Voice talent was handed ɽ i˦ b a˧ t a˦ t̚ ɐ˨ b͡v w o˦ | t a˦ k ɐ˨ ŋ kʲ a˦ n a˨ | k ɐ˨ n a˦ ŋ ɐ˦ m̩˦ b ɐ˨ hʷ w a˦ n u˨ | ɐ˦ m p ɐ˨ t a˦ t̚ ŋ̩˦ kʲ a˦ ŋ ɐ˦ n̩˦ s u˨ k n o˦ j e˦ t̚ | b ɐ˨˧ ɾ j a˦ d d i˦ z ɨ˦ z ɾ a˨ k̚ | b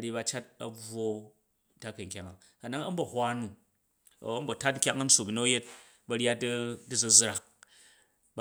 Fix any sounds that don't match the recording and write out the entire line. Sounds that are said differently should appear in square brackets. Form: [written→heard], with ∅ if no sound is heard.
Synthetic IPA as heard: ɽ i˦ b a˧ [t→t͡ʃ] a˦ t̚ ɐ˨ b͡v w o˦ | t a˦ k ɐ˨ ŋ kʲ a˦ [n→ŋ] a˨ | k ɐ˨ n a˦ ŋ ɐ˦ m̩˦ b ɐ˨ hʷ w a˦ n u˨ | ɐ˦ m [p→b] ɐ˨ t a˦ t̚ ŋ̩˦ kʲ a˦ ŋ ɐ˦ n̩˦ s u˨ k n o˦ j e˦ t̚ | b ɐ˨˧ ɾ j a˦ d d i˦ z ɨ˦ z ɾ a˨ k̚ | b